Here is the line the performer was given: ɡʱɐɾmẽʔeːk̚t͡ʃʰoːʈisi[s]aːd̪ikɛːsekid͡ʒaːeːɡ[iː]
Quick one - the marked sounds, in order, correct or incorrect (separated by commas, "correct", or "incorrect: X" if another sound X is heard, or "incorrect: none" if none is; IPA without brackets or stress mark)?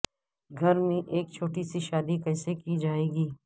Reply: incorrect: ʃ, correct